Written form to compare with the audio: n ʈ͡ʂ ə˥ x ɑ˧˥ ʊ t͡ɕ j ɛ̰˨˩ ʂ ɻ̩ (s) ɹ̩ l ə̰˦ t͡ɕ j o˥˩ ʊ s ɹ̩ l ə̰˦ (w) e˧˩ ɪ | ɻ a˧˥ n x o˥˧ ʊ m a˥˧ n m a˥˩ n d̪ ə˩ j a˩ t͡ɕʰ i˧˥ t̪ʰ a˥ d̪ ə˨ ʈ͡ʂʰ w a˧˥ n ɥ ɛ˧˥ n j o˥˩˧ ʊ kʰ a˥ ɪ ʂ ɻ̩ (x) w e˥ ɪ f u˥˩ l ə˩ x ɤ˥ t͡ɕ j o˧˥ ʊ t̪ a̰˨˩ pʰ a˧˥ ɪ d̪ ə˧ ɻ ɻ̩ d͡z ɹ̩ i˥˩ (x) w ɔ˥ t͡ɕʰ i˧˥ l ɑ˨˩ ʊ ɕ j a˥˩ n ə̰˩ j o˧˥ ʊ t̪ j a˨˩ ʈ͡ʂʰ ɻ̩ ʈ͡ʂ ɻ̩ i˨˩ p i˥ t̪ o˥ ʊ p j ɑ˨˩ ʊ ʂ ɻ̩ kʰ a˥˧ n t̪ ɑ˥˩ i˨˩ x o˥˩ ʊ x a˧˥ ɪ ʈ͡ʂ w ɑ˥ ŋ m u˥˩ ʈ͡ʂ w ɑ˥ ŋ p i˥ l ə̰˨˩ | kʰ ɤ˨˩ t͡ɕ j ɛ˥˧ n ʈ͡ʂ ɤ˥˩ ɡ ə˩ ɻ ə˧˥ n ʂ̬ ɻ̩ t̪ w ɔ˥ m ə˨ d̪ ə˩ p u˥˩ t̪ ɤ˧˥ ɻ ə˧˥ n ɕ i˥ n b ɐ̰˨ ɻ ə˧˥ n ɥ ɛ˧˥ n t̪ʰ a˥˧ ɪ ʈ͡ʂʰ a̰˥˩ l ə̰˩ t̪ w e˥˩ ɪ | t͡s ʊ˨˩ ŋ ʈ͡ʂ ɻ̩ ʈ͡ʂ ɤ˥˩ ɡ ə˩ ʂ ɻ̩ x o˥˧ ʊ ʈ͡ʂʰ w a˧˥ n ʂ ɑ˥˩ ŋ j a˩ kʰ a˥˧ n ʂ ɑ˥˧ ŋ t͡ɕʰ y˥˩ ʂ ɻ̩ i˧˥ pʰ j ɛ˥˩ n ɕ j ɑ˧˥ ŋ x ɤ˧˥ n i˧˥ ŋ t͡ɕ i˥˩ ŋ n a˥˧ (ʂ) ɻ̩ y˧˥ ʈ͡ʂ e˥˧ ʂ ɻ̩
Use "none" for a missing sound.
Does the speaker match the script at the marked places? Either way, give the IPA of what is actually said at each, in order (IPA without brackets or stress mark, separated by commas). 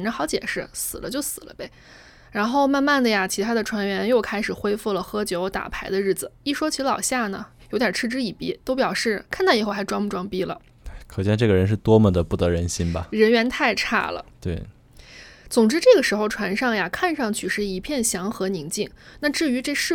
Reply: s, b, x, ʂ, ʈ͡ʂ